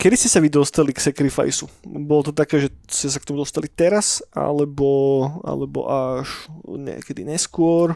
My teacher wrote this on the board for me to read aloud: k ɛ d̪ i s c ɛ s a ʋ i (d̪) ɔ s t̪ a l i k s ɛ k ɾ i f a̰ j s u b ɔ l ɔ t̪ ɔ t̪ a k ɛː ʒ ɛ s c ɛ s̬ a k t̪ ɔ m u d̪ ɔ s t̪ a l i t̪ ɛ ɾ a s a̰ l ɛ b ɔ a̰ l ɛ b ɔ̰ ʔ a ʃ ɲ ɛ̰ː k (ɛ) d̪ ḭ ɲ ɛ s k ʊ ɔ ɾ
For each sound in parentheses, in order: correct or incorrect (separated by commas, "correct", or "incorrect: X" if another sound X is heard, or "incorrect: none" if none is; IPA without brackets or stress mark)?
correct, correct